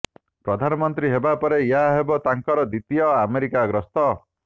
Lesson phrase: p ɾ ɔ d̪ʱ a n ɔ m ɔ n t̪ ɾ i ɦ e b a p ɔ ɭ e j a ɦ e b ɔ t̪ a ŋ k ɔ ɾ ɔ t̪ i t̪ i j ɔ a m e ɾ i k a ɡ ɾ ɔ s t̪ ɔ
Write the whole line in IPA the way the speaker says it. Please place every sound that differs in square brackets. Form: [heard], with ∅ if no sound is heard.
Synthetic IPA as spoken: p ɾ ɔ d̪ʱ a n ɔ m ɔ n t̪ ɾ i ɦ e b a p ɔ [ɾ] e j a ɦ e b ɔ t̪ a ŋ k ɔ ɾ ɔ [d̪] i t̪ i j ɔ a m e ɾ i k a ɡ ɾ ɔ s t̪ ɔ